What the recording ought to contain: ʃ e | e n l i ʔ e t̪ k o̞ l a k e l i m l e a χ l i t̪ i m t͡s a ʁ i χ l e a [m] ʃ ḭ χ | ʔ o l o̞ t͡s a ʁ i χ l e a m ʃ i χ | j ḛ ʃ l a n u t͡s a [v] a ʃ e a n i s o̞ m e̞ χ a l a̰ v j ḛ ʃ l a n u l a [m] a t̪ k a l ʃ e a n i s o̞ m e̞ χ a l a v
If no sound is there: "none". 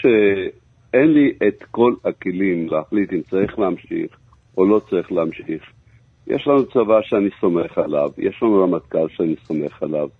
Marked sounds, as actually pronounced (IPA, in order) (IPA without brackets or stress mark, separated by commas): m, v, m